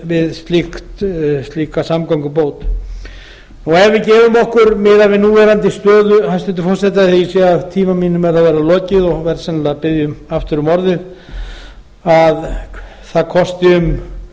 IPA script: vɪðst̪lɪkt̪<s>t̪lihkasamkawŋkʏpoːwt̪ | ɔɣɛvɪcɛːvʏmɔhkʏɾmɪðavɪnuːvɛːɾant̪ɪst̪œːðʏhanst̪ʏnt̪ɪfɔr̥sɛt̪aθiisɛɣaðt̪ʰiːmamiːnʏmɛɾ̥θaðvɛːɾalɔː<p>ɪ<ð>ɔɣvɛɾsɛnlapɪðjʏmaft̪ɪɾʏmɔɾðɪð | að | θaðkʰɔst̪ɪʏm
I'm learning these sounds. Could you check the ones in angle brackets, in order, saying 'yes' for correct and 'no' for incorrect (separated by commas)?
yes, no, yes